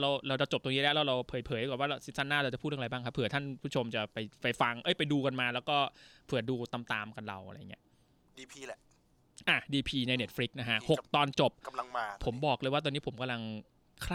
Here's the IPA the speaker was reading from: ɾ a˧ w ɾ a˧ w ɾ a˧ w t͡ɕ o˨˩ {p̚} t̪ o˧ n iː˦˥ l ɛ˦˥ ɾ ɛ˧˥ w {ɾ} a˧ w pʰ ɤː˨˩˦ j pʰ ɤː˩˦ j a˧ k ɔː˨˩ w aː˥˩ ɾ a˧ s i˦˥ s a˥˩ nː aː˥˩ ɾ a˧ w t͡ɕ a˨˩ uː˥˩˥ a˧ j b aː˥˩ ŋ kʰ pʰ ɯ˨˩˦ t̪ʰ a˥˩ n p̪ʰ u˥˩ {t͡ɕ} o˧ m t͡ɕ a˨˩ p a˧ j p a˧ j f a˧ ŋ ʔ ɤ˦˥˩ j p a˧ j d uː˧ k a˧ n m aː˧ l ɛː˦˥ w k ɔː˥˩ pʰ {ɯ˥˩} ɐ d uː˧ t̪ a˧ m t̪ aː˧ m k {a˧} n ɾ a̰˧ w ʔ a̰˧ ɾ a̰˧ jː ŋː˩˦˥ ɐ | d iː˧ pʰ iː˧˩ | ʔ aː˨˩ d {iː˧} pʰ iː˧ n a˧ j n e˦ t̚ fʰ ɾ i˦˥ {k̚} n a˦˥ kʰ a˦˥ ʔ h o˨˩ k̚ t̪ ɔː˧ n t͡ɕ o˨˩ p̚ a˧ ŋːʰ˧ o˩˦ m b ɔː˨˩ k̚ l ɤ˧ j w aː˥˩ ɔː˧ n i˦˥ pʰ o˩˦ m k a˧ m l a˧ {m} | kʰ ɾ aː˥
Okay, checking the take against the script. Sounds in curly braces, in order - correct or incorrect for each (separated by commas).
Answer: correct, correct, incorrect, incorrect, correct, correct, correct, incorrect